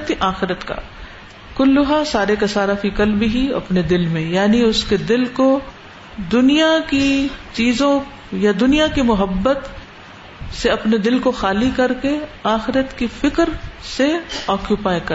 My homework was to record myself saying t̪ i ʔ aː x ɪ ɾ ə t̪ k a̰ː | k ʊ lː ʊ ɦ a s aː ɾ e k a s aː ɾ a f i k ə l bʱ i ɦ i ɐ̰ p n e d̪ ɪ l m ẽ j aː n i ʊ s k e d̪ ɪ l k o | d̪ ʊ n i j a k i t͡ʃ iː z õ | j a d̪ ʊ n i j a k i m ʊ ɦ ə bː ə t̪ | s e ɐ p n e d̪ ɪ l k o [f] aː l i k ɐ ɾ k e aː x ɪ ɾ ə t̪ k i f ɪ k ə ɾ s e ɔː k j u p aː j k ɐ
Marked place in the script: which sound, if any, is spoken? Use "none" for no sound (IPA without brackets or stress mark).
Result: x